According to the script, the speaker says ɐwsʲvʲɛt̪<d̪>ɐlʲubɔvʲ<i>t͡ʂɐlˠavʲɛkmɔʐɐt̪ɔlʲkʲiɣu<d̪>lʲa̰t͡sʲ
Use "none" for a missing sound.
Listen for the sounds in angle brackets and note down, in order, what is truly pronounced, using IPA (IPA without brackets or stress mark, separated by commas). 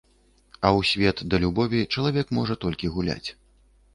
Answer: d̪, i, none